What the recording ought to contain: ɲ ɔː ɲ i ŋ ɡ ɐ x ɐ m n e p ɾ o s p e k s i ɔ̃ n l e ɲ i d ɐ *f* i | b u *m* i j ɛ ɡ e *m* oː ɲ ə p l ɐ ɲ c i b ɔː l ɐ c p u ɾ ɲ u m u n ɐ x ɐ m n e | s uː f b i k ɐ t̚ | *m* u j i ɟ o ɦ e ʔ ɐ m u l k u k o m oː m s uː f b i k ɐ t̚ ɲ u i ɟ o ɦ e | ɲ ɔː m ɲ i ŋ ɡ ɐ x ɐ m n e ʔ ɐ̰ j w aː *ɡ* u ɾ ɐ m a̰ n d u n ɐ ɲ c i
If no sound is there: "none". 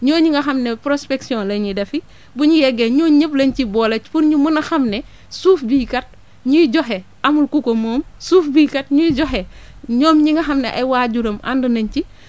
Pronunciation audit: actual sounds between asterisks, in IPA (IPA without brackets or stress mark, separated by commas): f, ɲ, ɲ, ɲ, ɟ